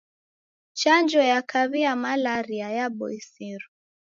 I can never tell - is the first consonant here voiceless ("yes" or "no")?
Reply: yes